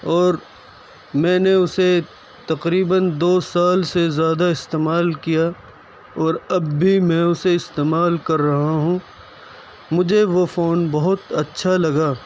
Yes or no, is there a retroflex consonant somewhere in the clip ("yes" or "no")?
no